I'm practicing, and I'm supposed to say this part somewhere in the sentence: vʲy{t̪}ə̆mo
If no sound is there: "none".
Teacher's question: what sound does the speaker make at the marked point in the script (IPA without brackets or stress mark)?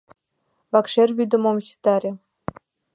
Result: d̪